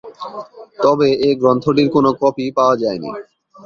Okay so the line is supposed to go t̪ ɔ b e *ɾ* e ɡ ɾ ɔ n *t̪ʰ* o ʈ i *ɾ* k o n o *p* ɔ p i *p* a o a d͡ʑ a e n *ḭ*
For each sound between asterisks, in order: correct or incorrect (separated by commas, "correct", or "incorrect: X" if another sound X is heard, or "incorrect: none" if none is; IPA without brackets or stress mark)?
incorrect: none, correct, correct, incorrect: k, correct, correct